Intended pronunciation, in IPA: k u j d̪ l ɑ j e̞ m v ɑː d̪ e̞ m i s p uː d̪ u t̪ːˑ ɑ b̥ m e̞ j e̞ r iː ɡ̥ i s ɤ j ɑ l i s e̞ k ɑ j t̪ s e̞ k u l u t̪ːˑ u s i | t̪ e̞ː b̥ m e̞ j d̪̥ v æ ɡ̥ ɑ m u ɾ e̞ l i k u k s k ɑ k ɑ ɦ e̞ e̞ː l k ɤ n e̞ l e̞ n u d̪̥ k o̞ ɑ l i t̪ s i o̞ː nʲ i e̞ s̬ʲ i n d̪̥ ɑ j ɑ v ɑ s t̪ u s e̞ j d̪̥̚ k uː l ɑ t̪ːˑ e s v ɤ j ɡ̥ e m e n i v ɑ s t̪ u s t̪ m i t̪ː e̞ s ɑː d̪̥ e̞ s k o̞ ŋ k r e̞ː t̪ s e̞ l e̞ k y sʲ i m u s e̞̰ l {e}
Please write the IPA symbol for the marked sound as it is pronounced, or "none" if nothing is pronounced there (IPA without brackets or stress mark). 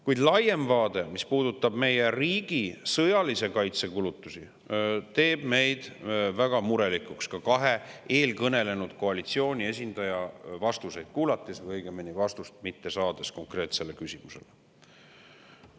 e